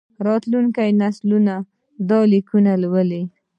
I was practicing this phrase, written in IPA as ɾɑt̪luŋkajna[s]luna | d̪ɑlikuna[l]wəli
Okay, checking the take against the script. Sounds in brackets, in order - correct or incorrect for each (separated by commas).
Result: correct, correct